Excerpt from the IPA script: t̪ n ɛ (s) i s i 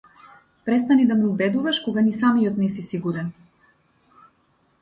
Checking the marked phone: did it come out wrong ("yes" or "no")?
no